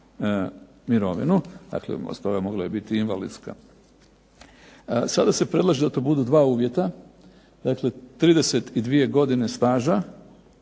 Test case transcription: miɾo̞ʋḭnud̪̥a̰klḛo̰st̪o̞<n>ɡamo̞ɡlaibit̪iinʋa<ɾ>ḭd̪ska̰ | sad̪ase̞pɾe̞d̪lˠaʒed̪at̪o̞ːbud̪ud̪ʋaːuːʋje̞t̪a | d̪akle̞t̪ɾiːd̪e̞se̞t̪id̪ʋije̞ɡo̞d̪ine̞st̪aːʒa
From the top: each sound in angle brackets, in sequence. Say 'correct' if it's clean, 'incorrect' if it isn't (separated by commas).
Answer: incorrect, incorrect